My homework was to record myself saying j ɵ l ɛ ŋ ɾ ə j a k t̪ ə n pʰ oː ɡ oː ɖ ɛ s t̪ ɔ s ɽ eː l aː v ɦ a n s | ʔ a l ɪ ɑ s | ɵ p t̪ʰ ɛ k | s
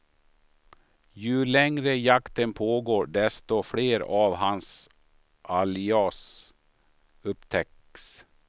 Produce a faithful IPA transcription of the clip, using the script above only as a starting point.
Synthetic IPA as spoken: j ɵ l ɛ ŋ ɾ ə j a k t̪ ə n pʰ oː ɡ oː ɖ ɛ s t̪ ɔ f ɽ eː ɾ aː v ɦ a n s | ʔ a l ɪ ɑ s | ɵ p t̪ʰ ɛ k | s